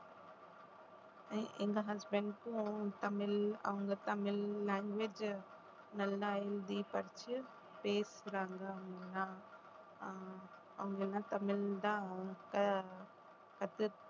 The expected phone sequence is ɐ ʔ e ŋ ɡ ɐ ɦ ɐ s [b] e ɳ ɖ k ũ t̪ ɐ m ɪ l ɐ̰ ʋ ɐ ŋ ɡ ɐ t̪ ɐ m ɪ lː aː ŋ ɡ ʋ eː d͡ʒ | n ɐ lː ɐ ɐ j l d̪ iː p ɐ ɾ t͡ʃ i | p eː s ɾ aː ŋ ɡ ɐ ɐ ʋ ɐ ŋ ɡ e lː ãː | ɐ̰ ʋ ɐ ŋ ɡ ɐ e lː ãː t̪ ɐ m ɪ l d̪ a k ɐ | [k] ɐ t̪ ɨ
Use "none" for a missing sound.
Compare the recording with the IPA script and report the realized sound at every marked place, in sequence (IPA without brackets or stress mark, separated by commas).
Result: b, k